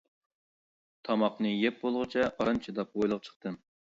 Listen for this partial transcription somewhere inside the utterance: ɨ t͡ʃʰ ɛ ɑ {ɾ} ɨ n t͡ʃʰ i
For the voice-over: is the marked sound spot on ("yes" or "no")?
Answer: yes